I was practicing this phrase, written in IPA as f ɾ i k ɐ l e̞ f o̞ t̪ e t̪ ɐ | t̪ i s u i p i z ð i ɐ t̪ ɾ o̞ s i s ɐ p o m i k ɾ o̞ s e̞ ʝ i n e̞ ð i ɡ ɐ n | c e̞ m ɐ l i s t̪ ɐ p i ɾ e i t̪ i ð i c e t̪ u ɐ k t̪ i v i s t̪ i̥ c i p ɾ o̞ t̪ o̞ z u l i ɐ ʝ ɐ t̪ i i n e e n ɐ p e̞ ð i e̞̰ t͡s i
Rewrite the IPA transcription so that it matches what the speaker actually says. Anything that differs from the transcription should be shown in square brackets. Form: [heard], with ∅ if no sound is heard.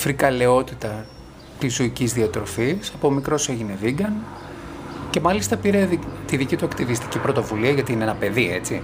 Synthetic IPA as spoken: f ɾ i k ɐ l e̞ [∅] o̞ t̪ [i] t̪ ɐ | t̪ i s u i [c] i z ð i ɐ t̪ ɾ o̞ [f] i s ɐ p o m i k ɾ o̞ s e̞ ʝ i n e̞ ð i ɡ ɐ n | c e̞ m ɐ l i s t̪ ɐ p i ɾ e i t̪ i ð i c [i] t̪ u ɐ k t̪ i v i s t̪ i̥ c i p ɾ o̞ t̪ o̞ [v] u l i ɐ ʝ ɐ t̪ i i n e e n ɐ p e̞ ð i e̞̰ t͡s i